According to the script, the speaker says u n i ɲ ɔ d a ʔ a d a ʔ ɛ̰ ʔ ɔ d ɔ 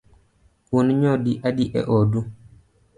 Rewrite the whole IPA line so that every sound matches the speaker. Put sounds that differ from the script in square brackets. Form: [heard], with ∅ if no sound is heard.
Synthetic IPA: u n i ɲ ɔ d [i] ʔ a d [i] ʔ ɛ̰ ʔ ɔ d [u]